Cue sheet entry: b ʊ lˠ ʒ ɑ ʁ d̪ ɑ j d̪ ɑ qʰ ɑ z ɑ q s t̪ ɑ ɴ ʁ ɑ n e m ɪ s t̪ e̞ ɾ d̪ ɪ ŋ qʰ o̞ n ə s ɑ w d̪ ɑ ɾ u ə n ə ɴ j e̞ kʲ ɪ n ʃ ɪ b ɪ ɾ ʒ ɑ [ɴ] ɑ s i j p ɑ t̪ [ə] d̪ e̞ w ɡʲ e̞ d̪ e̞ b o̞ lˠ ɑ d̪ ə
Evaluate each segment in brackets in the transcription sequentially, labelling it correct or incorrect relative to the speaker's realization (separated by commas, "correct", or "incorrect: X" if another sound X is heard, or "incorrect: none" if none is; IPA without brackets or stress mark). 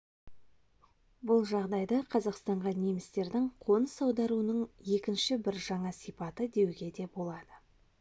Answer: correct, correct